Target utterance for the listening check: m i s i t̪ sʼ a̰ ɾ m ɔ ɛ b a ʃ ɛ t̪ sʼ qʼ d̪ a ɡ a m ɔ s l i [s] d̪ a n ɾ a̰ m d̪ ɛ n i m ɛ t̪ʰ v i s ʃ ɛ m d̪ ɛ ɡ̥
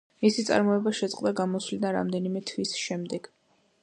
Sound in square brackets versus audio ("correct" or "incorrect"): incorrect